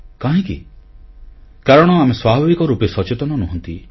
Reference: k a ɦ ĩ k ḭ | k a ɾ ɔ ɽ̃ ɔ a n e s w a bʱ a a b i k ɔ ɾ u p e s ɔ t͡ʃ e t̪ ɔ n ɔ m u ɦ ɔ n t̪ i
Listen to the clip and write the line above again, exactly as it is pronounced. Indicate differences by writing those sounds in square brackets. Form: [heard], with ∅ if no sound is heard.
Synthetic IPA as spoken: k a ɦ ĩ k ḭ | k a ɾ ɔ ɽ̃ ɔ a [m] e s w a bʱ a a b i k ɔ ɾ u p e s ɔ t͡ʃ e t̪ ɔ n ɔ [n] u ɦ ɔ n t̪ i